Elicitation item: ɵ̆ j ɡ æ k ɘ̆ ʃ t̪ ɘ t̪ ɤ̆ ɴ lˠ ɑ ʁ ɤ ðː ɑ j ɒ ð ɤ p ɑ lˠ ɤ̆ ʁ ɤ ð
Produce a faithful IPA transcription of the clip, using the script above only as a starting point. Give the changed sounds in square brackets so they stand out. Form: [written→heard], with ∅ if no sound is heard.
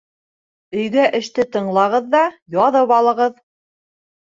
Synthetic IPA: ɵ̆ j ɡ æ [k→ʔ] ɘ̆ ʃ t̪ ɘ t̪ ɤ̆ ɴ lˠ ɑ ʁ ɤ ðː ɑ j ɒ ð ɤ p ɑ lˠ ɤ̆ ʁ ɤ ð